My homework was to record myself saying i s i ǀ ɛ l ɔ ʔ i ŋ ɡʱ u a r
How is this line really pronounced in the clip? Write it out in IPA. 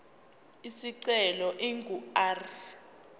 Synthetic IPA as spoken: i s i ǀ ɛ l ɔ ʔ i ŋ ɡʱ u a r